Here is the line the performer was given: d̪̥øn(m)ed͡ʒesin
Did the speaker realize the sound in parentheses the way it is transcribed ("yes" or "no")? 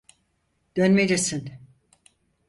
yes